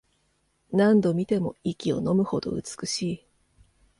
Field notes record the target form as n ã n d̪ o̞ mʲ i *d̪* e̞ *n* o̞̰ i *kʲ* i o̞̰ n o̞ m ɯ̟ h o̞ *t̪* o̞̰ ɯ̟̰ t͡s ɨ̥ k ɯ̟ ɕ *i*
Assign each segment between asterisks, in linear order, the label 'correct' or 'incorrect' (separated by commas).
incorrect, incorrect, correct, incorrect, incorrect